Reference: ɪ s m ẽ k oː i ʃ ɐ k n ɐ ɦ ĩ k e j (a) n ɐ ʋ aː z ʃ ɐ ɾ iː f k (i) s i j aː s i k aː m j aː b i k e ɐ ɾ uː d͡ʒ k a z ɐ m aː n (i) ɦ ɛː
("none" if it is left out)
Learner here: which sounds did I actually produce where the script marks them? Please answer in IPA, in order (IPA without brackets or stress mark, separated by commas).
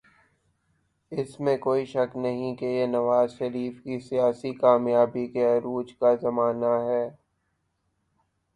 e, i, a